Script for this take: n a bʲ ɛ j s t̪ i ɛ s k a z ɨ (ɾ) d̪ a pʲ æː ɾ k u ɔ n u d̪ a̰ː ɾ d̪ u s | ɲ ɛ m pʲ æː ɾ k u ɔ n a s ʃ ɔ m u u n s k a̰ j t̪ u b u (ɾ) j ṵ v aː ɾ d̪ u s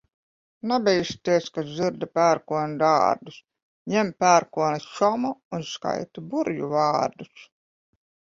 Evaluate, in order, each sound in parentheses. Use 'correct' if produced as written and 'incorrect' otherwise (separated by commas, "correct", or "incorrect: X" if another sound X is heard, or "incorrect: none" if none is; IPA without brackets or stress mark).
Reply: correct, correct